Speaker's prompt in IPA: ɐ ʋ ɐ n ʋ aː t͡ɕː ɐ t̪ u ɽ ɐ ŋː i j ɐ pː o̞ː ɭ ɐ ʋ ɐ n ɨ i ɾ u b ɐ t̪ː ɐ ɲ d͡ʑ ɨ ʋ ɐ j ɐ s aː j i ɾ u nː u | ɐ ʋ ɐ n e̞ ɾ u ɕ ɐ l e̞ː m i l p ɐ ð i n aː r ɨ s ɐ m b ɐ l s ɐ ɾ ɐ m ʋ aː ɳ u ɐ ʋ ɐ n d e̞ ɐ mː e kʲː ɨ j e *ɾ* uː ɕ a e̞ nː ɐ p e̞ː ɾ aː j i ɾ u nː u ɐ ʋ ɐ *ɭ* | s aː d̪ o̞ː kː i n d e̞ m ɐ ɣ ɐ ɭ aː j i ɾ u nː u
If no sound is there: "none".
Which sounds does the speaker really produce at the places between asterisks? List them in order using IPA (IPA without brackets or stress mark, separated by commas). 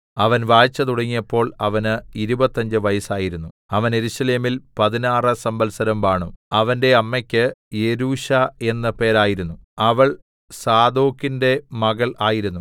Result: ɾ, ɭ